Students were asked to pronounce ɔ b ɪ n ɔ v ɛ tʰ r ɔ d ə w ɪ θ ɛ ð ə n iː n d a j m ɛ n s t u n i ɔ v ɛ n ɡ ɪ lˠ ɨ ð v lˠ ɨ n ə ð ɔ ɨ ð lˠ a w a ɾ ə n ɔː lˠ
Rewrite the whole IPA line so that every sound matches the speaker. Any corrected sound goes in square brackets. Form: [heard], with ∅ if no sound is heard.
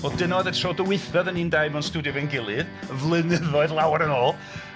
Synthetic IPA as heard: ɔ [d] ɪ n ɔ [ð] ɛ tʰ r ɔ d ə w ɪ θ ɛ ð ə n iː n d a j m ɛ n s t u [d] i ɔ v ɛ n ɡ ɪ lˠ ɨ ð v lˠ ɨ n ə ð ɔ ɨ ð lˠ a w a ɾ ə n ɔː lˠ